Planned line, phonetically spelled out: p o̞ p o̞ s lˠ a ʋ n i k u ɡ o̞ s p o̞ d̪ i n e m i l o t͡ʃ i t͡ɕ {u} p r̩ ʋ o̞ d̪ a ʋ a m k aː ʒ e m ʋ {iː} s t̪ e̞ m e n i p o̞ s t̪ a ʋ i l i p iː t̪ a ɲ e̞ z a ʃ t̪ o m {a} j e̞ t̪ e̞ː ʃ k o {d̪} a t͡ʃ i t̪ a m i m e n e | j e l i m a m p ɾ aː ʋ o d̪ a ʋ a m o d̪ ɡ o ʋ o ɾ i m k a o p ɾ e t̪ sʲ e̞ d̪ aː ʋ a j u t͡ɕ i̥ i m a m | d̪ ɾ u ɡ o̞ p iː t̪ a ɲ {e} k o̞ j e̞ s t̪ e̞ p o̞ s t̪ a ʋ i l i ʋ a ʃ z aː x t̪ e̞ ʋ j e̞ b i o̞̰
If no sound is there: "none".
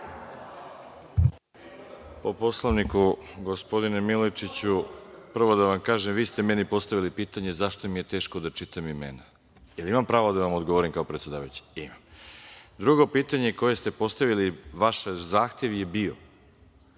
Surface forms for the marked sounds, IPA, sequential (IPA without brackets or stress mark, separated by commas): u, iː, i, d̪, e